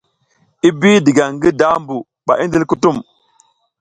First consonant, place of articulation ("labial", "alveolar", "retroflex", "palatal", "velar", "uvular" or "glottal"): labial